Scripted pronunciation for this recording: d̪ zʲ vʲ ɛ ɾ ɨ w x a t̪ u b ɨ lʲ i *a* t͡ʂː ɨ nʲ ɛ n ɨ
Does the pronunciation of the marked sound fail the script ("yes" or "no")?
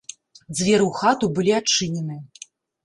no